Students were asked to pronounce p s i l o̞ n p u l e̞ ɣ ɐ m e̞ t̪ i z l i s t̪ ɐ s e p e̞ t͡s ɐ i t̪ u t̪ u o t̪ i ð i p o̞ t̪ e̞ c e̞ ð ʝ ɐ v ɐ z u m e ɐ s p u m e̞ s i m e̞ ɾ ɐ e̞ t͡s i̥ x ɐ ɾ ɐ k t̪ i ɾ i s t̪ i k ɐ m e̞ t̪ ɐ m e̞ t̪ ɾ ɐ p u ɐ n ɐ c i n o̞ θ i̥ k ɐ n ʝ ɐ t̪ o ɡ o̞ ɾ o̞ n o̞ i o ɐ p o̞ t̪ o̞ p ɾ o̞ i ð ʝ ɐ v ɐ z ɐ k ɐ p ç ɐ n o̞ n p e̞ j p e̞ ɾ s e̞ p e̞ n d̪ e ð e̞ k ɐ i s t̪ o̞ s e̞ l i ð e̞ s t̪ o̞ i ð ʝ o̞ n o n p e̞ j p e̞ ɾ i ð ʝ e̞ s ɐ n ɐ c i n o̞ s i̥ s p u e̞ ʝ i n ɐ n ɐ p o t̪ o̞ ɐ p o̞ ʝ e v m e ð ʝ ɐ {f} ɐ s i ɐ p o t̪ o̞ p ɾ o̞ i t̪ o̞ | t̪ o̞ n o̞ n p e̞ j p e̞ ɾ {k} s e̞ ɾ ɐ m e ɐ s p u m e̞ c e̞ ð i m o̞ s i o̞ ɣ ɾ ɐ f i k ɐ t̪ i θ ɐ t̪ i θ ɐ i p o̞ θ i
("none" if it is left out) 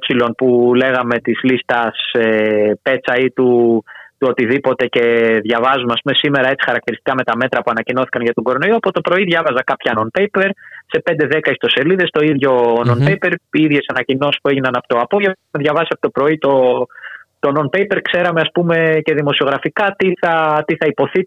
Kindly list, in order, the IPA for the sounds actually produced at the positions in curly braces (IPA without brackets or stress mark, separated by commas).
v, k